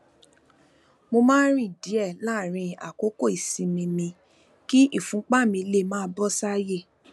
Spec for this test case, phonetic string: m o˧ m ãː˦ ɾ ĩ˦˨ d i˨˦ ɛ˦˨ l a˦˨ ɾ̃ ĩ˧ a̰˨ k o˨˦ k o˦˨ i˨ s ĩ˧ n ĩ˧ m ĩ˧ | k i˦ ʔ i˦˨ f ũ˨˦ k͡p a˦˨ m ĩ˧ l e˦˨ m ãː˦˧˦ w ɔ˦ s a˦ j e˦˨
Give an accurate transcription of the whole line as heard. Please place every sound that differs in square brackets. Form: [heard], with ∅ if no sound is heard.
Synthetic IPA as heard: m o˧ m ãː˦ ɾ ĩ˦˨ d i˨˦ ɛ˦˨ l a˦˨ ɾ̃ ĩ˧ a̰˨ k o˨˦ k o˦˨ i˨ s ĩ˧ [m] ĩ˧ m ĩ˧ | k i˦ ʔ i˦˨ f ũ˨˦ k͡p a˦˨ m ĩ˧ l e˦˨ m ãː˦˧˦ [b] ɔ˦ s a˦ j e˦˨